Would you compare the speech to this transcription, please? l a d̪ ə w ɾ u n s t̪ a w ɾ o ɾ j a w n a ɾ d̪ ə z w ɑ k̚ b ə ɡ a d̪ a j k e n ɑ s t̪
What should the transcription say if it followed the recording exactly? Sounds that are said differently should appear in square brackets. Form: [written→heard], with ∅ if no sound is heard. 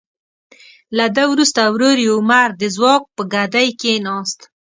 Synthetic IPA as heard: l a d̪ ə w ɾ u [n→∅] s t̪ a w ɾ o ɾ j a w [n→m] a ɾ d̪ ə z w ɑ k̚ [b→p] ə ɡ a d̪ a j k e n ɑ s t̪